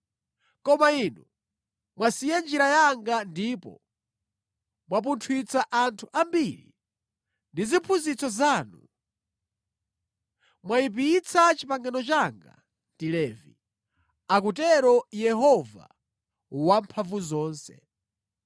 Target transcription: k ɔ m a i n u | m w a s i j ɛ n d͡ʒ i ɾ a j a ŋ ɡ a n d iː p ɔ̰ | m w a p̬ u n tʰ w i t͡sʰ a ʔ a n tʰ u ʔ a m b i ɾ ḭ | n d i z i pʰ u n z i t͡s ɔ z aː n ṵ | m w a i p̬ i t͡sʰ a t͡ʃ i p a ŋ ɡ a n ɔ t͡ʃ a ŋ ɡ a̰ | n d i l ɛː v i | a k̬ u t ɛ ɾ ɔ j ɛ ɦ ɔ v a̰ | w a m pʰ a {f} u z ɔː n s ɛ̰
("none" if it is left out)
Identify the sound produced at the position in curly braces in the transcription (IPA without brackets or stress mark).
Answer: v